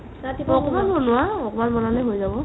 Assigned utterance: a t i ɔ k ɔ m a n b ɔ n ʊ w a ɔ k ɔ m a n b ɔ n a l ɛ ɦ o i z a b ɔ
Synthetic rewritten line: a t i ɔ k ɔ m a n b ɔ n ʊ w a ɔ k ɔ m a n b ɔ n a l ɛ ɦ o j z a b ɔ